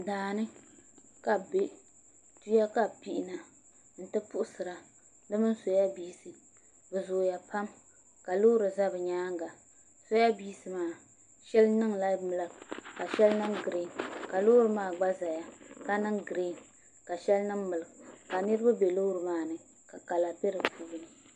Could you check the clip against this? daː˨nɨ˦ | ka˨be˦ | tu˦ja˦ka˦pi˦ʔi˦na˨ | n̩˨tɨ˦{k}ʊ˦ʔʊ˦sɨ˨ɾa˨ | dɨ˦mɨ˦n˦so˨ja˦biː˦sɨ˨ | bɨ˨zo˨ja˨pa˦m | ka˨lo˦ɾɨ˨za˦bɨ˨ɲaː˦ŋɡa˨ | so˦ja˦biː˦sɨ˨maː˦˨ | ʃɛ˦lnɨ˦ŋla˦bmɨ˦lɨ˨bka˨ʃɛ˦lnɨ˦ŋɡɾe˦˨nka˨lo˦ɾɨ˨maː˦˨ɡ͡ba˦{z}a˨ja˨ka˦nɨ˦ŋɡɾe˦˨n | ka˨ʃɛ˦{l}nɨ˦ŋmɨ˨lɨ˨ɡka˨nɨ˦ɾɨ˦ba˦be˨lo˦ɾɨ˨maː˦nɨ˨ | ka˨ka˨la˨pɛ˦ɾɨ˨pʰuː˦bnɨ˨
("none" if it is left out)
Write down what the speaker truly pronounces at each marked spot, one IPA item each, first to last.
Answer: p, z, l

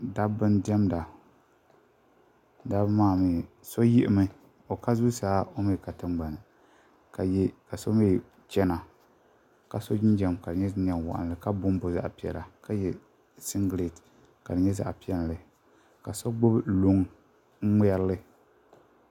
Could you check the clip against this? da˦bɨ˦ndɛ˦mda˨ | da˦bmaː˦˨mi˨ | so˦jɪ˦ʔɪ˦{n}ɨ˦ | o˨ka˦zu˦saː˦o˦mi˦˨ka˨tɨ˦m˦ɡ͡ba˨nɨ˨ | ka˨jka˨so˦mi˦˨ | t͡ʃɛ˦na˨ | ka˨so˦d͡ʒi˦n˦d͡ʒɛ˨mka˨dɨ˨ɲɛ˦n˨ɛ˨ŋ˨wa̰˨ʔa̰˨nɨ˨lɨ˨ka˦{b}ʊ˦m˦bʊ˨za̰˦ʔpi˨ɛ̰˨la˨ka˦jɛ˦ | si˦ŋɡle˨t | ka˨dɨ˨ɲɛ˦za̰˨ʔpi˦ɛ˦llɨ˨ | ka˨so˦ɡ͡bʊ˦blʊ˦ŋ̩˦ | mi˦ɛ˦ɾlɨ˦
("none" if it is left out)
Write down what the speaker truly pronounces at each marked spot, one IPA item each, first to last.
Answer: m, b

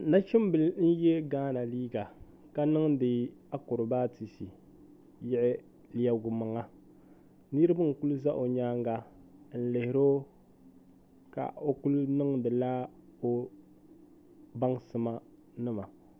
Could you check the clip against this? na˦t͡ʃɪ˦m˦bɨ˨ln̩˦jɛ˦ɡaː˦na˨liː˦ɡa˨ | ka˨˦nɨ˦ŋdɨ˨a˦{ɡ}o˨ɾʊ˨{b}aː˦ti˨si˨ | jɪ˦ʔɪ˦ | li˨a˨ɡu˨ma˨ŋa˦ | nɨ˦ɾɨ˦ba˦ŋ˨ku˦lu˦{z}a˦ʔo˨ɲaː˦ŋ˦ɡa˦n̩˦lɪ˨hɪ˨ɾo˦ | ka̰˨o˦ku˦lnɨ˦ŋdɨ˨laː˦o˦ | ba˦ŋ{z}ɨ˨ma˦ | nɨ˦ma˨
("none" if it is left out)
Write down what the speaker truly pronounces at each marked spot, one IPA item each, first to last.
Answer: k, b, z, s

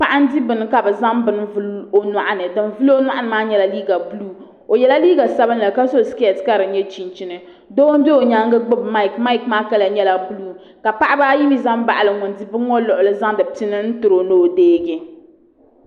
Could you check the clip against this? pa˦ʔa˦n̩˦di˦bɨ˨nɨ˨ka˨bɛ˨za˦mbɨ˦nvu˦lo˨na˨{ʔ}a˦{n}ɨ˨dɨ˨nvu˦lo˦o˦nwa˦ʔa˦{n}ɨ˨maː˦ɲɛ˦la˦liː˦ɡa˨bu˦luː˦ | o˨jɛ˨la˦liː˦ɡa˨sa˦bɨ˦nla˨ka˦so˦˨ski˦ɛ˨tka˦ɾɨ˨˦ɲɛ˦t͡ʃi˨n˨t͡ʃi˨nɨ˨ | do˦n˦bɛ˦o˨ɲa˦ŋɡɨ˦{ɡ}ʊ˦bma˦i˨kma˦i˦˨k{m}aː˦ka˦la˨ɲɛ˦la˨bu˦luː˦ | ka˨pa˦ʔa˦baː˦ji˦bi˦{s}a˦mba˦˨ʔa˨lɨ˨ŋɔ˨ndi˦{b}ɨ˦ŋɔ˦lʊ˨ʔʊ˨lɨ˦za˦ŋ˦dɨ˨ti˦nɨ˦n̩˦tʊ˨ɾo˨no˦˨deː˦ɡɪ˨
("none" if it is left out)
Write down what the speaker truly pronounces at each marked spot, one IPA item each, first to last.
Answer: ʔ, n, n, ɡ͡b, m, z, b

